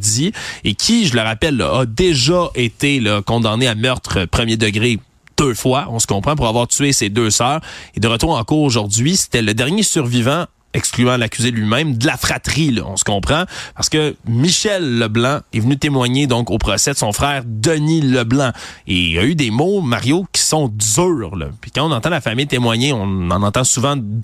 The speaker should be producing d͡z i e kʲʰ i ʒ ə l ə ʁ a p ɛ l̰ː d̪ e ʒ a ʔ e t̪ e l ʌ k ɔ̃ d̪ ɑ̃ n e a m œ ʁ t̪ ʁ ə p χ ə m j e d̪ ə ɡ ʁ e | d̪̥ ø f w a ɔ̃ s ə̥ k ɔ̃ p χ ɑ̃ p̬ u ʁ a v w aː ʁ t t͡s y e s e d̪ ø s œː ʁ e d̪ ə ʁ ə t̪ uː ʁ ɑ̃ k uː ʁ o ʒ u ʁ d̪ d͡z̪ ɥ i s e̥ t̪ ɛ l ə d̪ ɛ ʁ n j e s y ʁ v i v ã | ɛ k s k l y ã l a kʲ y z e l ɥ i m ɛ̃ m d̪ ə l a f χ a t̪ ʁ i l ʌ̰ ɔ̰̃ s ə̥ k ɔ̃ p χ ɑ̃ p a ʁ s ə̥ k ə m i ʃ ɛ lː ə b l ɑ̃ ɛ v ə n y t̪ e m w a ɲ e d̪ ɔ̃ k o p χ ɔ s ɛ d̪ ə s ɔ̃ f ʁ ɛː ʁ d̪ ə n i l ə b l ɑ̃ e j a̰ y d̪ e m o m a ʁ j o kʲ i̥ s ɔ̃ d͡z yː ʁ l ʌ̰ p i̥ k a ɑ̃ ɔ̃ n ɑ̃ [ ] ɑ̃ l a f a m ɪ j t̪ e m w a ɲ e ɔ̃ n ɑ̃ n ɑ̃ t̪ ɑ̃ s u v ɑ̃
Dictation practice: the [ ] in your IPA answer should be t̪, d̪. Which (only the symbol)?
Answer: t̪